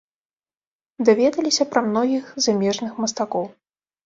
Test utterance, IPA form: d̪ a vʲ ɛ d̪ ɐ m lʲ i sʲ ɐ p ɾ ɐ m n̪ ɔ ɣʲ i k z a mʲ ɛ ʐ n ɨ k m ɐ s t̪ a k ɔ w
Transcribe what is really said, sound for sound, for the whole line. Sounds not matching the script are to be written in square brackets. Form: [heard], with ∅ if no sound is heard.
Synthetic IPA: d̪ a vʲ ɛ d̪ ɐ [∅] lʲ i sʲ ɐ p ɾ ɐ m n̪ ɔ ɣʲ i [x] z a mʲ ɛ ʐ n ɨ [x] m ɐ s t̪ a k ɔ w